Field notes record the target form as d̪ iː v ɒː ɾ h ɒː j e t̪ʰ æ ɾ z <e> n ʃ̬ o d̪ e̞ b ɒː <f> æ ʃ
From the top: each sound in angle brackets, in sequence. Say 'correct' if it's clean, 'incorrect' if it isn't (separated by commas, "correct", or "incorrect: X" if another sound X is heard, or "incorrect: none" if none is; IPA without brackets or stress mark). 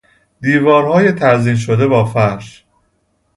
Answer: incorrect: i, correct